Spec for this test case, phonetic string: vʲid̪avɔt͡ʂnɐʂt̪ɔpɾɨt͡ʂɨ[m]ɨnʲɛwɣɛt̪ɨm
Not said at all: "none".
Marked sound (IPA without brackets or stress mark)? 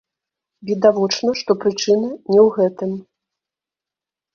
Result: n